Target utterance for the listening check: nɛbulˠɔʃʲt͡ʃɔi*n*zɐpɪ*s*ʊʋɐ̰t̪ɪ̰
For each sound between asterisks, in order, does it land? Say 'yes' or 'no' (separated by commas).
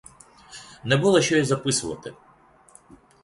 no, yes